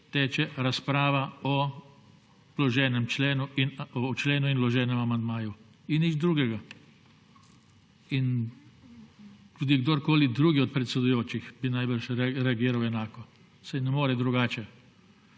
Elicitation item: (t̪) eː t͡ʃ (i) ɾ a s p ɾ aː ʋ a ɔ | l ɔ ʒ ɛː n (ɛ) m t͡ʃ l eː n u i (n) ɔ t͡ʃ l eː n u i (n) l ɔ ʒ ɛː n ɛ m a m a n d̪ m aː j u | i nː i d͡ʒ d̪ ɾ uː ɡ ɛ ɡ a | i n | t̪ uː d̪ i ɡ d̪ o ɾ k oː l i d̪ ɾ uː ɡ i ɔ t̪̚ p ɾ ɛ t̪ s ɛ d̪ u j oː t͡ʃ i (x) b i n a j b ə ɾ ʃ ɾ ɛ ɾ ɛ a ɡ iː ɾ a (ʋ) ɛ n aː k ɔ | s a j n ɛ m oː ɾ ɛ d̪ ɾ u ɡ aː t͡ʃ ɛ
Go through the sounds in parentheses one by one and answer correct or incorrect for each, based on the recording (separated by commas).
correct, incorrect, correct, correct, correct, correct, incorrect